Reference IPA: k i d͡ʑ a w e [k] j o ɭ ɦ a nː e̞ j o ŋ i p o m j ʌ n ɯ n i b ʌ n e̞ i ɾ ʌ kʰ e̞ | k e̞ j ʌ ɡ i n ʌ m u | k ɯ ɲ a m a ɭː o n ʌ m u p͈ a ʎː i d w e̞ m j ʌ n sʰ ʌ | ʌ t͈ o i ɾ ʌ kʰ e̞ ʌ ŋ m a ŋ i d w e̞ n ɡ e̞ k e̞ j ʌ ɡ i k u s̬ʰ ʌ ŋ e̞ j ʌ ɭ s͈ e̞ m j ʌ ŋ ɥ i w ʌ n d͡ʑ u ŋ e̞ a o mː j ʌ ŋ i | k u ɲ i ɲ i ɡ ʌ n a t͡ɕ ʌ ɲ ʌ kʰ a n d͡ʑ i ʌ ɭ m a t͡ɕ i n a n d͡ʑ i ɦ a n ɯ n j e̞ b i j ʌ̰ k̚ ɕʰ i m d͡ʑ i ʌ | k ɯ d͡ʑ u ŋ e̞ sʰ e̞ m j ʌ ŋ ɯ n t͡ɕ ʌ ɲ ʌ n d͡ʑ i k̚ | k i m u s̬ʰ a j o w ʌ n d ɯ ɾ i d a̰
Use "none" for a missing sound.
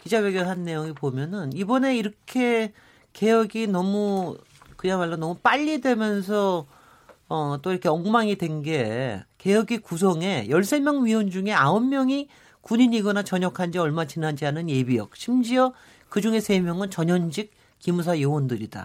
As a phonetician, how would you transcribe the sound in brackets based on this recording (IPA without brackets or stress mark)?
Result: ɡ